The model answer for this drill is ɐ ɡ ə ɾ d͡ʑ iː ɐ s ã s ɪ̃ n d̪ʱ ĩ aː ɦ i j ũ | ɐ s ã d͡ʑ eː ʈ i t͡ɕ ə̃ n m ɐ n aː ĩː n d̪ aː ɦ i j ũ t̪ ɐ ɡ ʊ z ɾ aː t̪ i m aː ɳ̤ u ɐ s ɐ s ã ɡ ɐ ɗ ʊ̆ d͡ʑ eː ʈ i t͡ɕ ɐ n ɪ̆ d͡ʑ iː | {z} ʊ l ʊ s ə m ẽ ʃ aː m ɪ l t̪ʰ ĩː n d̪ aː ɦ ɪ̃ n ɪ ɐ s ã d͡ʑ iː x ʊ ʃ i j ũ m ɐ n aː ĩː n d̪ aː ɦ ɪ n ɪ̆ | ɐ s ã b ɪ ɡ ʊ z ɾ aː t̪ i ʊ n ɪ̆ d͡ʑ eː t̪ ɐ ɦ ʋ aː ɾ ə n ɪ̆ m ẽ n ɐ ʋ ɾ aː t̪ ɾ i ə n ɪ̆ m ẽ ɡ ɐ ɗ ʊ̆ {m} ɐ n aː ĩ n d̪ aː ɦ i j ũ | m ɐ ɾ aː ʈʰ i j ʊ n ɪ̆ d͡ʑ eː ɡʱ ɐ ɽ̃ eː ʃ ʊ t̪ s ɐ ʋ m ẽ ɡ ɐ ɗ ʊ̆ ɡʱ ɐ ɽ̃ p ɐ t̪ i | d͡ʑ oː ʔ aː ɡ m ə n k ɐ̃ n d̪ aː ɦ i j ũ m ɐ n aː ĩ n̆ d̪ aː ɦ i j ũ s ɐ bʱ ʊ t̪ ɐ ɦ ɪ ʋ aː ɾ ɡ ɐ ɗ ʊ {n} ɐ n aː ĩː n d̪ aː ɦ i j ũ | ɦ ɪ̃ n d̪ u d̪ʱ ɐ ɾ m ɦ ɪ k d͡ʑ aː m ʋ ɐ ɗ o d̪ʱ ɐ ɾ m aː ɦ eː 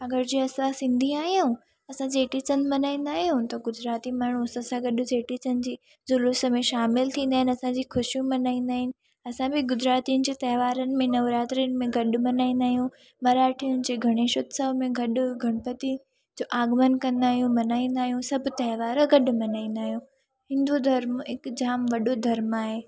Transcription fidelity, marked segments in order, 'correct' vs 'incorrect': correct, correct, incorrect

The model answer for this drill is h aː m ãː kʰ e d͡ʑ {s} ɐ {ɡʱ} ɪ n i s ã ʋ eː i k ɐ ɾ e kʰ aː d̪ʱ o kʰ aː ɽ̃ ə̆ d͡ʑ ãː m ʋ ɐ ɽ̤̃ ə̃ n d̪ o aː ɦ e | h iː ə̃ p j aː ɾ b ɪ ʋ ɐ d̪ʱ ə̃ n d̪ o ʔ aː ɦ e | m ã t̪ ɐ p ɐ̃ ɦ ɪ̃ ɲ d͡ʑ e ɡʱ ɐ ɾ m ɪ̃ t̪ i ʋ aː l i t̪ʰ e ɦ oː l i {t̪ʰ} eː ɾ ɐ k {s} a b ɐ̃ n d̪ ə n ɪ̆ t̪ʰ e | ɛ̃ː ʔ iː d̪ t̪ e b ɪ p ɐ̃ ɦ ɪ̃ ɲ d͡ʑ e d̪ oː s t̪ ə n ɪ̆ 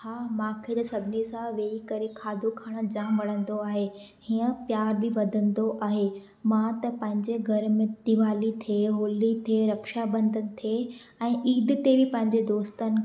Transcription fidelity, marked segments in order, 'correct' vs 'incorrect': correct, incorrect, correct, incorrect

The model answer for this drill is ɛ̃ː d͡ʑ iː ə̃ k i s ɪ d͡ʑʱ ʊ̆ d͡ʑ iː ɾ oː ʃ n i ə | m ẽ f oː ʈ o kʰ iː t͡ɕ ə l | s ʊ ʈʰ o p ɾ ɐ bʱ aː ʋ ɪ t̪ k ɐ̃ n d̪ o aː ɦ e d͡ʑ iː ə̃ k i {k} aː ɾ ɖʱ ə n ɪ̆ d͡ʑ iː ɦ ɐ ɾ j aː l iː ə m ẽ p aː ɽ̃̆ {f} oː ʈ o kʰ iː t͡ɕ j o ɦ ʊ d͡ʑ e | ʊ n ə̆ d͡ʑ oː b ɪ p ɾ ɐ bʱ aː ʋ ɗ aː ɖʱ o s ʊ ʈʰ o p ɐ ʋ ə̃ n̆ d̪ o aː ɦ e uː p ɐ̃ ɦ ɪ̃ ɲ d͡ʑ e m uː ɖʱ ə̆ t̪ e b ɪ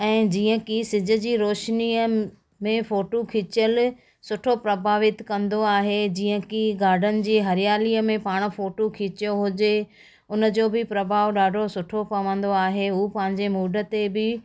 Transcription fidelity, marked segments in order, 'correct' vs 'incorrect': incorrect, correct

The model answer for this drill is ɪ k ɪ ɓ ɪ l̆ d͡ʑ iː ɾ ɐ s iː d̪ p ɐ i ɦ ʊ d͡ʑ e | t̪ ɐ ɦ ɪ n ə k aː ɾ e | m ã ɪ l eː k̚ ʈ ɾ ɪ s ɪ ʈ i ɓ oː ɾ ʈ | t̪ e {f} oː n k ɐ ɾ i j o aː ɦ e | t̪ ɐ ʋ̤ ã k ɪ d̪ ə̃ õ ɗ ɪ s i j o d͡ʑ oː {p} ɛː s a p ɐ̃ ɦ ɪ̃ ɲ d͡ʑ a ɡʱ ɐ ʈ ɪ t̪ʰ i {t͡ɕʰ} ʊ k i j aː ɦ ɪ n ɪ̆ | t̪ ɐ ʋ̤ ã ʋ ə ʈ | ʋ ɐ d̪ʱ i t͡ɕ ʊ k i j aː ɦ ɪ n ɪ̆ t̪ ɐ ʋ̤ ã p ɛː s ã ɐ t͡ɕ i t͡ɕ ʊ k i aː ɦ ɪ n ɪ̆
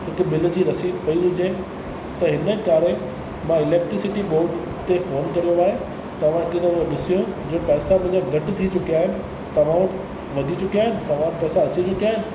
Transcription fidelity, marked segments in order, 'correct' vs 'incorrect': correct, correct, incorrect

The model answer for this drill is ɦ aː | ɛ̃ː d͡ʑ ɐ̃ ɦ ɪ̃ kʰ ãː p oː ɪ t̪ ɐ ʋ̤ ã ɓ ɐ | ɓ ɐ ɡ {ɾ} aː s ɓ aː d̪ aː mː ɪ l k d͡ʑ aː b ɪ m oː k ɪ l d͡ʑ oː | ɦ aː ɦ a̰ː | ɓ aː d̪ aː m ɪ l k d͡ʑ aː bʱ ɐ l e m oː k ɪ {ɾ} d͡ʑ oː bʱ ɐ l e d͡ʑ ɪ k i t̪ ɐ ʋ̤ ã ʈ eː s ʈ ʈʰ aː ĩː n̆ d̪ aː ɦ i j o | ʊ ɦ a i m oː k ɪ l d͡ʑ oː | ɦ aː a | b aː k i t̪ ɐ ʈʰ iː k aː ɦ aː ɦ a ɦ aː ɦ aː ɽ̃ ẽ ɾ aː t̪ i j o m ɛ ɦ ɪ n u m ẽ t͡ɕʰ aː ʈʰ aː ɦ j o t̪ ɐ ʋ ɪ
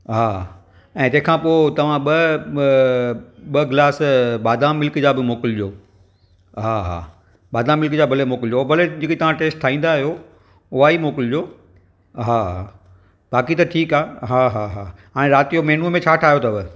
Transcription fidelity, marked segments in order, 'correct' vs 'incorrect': incorrect, incorrect

